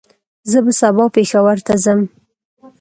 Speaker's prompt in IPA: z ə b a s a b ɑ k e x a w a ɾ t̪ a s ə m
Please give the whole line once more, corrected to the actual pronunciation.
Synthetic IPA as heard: z ə b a s a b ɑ p e x a w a ɾ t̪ a z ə m